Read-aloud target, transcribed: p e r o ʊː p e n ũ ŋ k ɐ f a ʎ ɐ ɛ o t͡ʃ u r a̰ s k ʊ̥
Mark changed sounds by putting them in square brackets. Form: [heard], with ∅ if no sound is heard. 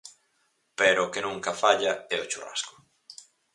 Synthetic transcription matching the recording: p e [ɾ] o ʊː [k] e n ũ ŋ k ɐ f a ʎ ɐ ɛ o t͡ʃ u r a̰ s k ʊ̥